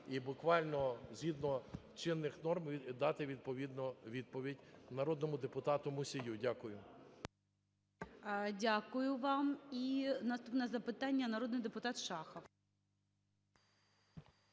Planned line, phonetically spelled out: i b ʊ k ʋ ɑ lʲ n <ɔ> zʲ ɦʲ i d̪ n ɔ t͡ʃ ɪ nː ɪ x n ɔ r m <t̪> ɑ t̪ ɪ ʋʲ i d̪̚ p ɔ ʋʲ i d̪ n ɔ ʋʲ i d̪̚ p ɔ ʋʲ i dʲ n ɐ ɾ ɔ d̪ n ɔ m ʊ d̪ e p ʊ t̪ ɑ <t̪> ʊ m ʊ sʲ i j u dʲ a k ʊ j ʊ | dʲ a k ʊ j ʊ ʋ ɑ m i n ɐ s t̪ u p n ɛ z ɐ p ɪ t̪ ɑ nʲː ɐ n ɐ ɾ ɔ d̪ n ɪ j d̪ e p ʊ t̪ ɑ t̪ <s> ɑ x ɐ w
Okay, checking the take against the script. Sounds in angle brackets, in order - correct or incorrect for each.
correct, incorrect: d̪, correct, incorrect: ʃ

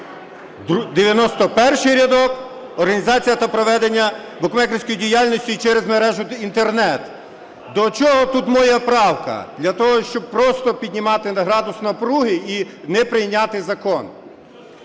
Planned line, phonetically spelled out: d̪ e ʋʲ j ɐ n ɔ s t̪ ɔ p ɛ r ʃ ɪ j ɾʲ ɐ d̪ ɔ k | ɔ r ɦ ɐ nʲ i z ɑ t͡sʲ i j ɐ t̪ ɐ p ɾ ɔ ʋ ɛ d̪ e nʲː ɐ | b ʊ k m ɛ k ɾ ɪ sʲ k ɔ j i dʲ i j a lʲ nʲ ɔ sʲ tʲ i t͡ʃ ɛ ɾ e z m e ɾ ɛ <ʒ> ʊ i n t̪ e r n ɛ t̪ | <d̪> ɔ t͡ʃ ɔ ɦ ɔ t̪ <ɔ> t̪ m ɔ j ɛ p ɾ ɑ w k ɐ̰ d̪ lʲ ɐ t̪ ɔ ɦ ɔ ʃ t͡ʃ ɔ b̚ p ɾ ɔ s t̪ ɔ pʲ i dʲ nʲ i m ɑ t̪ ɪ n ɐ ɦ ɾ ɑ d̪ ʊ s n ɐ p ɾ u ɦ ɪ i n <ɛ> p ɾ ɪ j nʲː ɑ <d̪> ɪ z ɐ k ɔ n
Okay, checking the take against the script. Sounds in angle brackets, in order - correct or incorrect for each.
correct, correct, incorrect: u, correct, incorrect: t̪

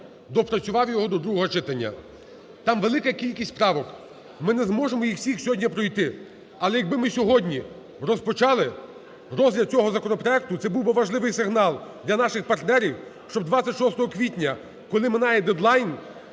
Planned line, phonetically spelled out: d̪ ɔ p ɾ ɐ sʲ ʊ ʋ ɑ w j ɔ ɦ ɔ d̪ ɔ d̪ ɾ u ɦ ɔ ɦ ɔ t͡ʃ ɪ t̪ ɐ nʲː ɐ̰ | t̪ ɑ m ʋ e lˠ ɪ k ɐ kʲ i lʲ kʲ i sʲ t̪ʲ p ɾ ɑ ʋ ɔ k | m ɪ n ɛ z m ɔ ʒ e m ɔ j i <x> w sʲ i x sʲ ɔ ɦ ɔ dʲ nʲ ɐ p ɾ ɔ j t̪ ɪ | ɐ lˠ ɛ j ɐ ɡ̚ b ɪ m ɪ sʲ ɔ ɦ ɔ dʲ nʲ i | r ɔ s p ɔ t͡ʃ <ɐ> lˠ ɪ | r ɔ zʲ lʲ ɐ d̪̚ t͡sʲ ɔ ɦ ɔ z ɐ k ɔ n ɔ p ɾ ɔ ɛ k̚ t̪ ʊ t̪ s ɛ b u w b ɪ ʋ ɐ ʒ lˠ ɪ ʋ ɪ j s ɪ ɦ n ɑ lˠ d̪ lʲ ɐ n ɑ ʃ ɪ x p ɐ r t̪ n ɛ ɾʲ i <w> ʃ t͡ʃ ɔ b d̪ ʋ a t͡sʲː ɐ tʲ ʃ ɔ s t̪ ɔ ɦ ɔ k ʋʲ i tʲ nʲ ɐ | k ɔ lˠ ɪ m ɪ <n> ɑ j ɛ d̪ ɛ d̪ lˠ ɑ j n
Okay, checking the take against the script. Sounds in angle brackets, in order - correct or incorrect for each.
correct, incorrect: ɑ, correct, correct

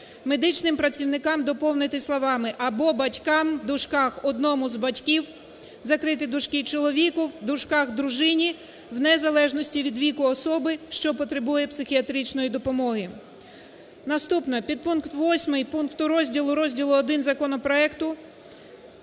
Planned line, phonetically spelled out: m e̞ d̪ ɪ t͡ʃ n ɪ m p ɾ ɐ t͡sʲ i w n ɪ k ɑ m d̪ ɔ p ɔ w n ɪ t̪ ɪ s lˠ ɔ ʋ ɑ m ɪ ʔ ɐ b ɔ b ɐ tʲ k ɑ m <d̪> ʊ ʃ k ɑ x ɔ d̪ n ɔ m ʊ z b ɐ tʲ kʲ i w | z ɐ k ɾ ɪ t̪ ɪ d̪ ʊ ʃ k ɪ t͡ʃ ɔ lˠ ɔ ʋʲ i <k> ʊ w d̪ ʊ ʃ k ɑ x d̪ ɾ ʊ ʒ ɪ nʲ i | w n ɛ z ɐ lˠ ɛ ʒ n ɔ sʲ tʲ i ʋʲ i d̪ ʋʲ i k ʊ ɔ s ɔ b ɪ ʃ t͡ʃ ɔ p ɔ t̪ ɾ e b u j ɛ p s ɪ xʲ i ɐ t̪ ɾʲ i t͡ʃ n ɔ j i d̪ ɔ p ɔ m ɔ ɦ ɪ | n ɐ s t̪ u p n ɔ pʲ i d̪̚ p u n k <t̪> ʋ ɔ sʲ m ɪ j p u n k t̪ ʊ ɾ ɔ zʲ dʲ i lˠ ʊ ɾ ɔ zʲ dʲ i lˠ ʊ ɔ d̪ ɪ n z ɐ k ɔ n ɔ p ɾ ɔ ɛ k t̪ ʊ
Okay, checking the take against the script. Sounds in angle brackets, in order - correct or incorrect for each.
correct, correct, correct

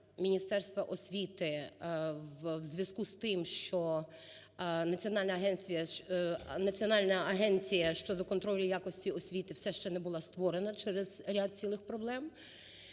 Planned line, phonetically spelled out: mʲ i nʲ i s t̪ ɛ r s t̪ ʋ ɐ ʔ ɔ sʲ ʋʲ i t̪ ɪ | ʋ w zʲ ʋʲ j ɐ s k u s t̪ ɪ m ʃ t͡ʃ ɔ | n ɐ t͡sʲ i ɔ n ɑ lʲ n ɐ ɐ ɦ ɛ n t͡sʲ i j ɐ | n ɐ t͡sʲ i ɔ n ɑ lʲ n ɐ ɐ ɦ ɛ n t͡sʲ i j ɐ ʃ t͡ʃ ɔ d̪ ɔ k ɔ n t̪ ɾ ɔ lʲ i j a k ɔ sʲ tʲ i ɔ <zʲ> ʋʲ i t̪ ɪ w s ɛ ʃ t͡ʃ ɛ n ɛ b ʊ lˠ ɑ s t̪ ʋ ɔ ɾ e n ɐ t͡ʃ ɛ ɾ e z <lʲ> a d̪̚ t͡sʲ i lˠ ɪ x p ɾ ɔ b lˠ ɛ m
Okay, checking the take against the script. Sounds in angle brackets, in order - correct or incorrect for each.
incorrect: sʲ, incorrect: ɾʲ

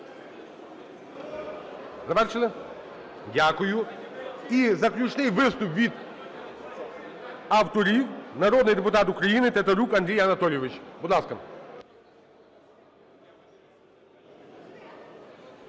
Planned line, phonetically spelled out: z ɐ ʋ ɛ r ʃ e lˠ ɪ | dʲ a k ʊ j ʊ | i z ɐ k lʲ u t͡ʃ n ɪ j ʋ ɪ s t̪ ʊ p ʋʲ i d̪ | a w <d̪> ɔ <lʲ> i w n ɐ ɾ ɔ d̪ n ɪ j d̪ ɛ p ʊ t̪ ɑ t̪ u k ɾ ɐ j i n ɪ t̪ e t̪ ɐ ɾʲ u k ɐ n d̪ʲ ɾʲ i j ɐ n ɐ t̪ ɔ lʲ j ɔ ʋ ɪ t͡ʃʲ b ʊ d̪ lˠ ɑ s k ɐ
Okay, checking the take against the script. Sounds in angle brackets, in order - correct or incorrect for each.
incorrect: t̪, incorrect: ɾʲ

